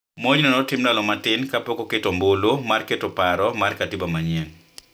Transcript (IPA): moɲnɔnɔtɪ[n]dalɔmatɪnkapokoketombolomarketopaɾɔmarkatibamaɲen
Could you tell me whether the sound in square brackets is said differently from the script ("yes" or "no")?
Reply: yes